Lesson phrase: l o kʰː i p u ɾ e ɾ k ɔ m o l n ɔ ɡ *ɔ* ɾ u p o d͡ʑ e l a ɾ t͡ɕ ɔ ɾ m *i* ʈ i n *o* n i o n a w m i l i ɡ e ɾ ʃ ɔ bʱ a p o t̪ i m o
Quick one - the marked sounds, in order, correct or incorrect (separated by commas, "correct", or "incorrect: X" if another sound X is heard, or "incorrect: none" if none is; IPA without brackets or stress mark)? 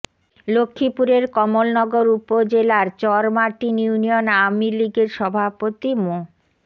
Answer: incorrect: o, incorrect: a, incorrect: u